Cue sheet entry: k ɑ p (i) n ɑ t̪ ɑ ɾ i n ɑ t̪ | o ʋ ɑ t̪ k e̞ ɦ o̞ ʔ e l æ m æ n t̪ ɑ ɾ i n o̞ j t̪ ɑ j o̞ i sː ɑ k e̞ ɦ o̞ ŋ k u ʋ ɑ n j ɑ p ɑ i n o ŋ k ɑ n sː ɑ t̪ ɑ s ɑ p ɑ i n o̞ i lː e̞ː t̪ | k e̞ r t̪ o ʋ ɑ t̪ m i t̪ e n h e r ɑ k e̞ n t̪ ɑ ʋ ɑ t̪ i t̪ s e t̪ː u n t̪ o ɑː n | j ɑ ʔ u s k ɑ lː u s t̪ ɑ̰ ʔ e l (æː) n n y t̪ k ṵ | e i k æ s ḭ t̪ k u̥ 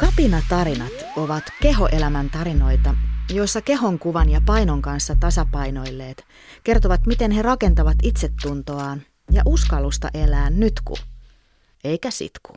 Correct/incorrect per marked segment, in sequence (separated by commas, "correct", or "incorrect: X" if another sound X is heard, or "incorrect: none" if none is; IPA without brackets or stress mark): correct, correct